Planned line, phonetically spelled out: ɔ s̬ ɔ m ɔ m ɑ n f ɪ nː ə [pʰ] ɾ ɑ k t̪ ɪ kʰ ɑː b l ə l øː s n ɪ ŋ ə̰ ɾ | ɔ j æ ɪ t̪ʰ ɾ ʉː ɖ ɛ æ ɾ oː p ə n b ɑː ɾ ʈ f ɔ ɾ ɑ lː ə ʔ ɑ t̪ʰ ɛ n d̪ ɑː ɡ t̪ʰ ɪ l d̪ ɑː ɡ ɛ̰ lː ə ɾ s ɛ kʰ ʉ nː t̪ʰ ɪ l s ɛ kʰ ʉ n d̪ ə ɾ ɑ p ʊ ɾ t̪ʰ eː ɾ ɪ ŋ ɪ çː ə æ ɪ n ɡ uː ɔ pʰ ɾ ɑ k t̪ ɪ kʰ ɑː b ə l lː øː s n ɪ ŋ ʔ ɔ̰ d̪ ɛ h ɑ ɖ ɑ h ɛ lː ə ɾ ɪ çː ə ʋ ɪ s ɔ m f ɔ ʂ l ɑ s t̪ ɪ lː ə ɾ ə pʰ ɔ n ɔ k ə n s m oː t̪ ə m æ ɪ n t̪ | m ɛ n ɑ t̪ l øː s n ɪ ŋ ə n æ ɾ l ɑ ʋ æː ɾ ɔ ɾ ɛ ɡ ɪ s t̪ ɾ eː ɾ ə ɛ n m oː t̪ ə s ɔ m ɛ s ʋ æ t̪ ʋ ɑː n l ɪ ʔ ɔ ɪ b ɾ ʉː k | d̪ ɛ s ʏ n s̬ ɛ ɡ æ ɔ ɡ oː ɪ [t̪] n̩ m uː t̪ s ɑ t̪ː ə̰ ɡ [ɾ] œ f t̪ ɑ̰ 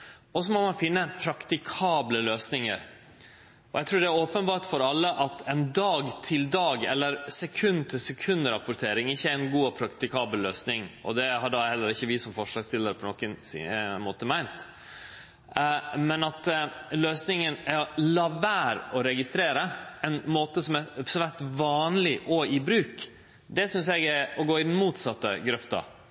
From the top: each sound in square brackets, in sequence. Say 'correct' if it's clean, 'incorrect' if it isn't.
correct, incorrect, correct

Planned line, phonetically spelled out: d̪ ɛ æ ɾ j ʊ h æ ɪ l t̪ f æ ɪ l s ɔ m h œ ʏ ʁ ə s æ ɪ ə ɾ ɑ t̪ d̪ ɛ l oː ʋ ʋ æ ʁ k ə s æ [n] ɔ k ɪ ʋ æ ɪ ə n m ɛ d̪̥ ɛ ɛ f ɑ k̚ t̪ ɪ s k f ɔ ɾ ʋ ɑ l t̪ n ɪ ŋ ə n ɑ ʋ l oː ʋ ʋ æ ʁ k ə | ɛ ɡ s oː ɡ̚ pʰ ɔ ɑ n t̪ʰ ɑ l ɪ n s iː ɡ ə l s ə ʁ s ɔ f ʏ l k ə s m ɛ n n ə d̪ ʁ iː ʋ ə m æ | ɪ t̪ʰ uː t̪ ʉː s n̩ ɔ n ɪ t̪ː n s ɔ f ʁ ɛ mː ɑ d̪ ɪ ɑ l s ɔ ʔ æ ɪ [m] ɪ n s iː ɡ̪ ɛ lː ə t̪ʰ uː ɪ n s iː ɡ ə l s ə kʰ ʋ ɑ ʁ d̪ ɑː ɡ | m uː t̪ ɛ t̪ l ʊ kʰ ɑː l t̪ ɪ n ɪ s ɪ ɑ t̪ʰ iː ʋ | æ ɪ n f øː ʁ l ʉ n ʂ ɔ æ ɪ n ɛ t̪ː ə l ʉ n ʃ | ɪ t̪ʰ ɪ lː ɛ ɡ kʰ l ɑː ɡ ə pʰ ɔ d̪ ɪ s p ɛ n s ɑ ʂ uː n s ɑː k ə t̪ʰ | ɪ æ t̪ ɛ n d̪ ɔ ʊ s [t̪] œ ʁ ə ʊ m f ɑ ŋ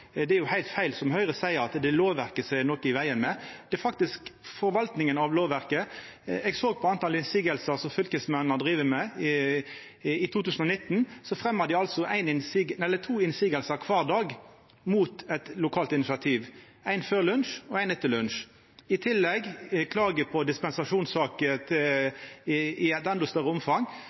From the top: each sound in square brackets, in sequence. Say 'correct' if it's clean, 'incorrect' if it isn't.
correct, incorrect, correct

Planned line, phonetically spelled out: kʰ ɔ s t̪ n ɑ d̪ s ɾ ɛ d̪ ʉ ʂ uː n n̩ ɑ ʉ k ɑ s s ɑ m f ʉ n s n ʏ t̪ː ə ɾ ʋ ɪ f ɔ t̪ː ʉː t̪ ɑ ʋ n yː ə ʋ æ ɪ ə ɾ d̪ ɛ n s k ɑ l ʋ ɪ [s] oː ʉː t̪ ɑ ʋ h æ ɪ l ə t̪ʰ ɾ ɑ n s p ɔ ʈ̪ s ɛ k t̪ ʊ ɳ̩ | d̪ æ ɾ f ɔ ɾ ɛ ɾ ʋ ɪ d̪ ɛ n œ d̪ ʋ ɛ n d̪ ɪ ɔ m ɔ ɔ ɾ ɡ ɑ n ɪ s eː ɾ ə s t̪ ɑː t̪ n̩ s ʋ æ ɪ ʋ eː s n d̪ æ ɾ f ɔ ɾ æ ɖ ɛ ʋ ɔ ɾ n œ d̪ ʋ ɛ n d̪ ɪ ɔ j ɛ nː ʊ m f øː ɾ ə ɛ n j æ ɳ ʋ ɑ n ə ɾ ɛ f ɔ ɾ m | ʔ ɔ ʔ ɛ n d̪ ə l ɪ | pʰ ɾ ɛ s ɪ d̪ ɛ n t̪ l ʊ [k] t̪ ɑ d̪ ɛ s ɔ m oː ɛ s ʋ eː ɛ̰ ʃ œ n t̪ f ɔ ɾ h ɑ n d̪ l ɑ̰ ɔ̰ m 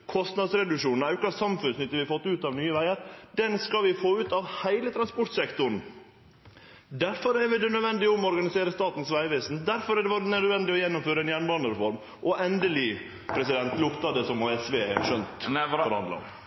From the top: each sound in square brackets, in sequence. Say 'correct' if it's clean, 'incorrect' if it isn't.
incorrect, correct

